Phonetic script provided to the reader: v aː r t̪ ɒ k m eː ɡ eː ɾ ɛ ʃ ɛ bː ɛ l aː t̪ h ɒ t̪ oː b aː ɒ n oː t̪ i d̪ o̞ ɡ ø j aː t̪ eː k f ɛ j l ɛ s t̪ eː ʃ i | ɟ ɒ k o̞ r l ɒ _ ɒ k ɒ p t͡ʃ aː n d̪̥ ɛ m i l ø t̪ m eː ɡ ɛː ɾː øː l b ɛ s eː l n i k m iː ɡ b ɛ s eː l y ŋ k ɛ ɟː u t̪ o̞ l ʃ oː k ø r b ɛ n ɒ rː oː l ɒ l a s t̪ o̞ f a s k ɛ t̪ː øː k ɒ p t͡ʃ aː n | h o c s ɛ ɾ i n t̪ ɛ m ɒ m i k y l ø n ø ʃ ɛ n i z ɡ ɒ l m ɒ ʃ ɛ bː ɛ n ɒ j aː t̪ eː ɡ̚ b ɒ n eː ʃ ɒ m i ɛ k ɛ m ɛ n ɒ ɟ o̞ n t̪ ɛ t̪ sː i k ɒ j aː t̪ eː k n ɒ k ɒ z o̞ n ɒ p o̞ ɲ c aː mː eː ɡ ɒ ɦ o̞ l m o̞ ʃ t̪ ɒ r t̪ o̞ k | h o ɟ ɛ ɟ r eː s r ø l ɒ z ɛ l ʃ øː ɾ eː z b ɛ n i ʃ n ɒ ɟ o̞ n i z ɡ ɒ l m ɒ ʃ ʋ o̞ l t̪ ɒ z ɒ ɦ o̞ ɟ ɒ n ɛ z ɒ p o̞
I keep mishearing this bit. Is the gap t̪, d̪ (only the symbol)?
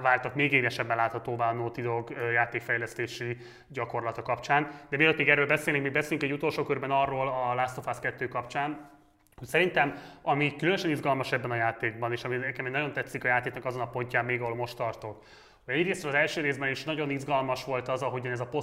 t̪